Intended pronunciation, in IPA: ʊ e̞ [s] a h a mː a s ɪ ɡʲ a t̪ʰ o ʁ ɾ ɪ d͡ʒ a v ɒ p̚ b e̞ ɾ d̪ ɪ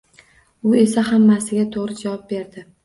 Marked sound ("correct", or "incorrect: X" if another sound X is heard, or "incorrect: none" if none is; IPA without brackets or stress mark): correct